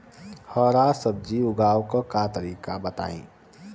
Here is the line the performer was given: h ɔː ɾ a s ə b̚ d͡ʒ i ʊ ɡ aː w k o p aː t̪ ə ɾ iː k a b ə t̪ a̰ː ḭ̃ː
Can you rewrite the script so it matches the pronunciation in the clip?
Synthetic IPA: h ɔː ɾ a s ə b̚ d͡ʒ i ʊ ɡ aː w k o k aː t̪ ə ɾ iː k a b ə t̪ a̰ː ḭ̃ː